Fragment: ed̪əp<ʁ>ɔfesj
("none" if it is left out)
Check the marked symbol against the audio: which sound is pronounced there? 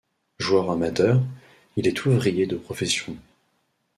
χ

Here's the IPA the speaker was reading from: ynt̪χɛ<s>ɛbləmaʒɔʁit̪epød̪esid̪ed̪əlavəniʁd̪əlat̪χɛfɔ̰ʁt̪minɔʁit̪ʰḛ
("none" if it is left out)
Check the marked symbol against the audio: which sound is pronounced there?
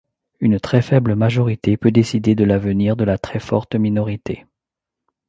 f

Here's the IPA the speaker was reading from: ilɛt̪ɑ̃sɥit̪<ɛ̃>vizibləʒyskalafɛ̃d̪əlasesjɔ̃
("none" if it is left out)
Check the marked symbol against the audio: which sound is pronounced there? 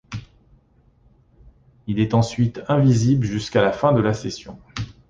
ɛ̃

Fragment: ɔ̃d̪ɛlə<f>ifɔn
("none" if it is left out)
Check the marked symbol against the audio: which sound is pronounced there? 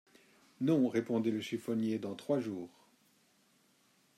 ʃ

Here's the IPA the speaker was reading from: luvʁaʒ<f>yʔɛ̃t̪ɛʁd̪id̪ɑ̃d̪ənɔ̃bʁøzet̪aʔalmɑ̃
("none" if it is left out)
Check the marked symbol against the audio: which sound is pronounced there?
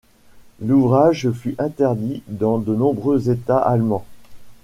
f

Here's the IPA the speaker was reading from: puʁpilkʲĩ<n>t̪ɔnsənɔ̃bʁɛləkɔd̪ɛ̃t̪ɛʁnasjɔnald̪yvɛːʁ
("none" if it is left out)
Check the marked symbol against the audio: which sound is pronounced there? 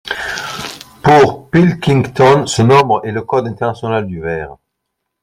ŋ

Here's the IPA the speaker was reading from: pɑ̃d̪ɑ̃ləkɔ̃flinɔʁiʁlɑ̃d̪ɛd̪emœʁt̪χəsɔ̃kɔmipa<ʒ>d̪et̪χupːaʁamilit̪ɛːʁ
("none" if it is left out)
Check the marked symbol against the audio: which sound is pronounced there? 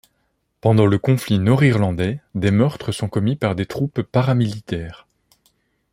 ʁ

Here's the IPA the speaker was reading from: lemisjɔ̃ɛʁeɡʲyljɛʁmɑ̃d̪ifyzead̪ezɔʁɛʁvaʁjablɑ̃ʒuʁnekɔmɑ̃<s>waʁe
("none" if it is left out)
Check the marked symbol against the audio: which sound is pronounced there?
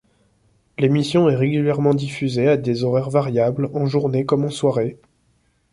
s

